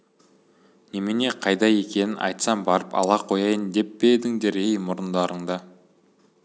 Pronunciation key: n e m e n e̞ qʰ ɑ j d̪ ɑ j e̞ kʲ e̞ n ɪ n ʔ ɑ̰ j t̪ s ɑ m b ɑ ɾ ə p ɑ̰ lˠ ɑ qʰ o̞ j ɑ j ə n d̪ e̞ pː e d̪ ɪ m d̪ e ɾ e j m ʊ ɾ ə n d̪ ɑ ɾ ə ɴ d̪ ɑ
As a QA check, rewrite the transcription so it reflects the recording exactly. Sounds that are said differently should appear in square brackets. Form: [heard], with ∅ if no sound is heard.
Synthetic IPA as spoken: n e m e n e̞ qʰ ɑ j d̪ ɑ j e̞ kʲ e̞ n ɪ n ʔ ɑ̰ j t̪ s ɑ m b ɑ ɾ ə p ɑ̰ lˠ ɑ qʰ o̞ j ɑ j ə n d̪ e̞ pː e d̪ ɪ [ŋ] d̪ e ɾ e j m ʊ ɾ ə n d̪ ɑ ɾ ə ɴ d̪ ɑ